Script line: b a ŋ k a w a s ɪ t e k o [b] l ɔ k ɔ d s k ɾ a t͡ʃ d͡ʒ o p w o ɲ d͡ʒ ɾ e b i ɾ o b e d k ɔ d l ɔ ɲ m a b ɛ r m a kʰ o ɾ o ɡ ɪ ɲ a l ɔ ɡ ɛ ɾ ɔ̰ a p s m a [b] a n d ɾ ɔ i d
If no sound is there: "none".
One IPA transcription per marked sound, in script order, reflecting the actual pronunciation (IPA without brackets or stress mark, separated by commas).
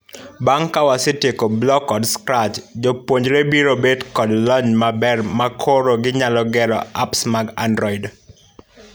b, ɡ